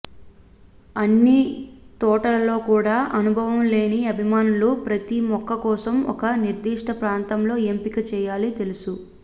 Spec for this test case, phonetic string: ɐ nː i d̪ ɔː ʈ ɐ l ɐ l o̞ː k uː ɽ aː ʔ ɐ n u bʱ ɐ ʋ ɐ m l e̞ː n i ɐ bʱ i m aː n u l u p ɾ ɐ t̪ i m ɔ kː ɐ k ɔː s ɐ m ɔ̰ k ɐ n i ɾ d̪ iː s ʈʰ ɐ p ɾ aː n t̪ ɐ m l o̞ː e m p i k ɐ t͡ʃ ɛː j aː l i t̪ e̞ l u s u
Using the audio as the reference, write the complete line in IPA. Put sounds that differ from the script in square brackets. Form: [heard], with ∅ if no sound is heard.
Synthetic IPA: ɐ nː i [t̪] ɔː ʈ ɐ l ɐ l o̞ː k uː ɽ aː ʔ ɐ n u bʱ ɐ ʋ ɐ m l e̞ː n i ɐ bʱ i m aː n u l u p ɾ ɐ t̪ i m ɔ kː ɐ k ɔː s ɐ m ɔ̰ k ɐ n i ɾ d̪ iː [ʂ] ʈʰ ɐ p ɾ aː n t̪ ɐ m l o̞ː e m p i k ɐ t͡ʃ ɛː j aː l i t̪ e̞ l u s u